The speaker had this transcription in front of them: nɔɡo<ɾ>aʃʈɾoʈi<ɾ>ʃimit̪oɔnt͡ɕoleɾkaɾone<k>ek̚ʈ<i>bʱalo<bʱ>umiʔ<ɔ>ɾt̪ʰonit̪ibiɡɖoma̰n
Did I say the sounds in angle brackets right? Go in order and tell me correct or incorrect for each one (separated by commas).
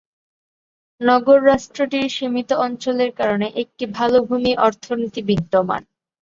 incorrect, correct, incorrect, correct, correct, correct